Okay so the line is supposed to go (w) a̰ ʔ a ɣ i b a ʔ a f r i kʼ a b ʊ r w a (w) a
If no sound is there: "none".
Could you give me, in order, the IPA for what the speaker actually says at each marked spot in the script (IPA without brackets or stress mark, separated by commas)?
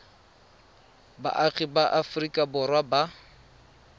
b, b